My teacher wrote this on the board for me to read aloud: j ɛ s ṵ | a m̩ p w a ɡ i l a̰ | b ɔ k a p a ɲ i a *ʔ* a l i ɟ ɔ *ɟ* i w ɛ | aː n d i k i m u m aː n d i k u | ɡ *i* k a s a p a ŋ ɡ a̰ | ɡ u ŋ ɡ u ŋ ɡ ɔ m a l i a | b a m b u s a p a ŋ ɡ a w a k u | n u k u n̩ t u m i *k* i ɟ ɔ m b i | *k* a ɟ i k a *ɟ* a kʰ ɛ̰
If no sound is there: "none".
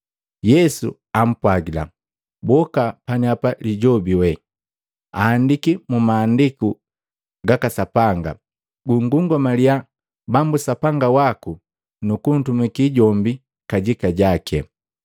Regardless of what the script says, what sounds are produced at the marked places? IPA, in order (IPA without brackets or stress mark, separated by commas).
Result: p, b, a, k, k, ɟ